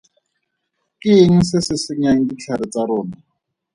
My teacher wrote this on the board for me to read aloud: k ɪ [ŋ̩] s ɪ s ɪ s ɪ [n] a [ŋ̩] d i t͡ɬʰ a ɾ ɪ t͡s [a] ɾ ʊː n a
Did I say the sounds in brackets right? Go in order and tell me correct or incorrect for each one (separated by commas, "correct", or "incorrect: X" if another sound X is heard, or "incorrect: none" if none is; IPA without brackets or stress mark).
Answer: correct, incorrect: ɲ, correct, correct